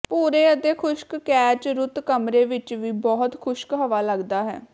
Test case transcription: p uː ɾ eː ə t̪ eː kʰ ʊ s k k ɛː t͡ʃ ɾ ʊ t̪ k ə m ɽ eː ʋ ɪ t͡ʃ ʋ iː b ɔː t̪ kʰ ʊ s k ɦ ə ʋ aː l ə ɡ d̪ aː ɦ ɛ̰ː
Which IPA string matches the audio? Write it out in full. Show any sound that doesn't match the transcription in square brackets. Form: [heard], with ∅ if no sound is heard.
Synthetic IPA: p uː ɾ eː ə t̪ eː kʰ ʊ [ʃ] k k ɛː t͡ʃ ɾ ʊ t̪ k ə m [ɾ] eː ʋ ɪ t͡ʃ ʋ iː b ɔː t̪ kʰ ʊ [ʃ] k ɦ ə ʋ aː l ə ɡ d̪ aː ɦ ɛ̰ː